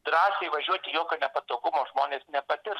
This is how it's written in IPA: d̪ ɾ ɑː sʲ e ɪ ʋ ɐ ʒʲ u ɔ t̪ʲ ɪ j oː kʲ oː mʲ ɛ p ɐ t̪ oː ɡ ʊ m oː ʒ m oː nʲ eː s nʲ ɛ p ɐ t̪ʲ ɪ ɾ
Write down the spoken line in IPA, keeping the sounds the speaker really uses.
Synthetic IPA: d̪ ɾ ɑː sʲ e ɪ ʋ ɐ ʒʲ u ɔ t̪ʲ ɪ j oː kʲ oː nʲ ɛ p ɐ t̪ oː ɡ ʊ m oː ʒ m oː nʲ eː s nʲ ɛ p ɐ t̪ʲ ɪ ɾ

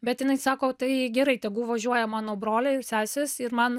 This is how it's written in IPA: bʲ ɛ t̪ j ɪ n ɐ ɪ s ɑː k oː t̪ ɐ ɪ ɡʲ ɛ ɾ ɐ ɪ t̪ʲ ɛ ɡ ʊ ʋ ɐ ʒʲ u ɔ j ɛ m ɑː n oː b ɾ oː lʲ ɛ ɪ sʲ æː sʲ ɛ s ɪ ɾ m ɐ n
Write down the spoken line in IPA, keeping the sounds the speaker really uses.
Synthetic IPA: bʲ ɛ t̪ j ɪ n ɐ ɪ s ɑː k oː t̪ ɐ ɪ ɡʲ ɛ ɾ ɐ ɪ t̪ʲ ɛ ɡ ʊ ʋ ɐ ʒʲ u ɔ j ɛ m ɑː n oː b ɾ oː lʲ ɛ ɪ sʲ æː sʲ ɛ s ɪ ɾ m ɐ n

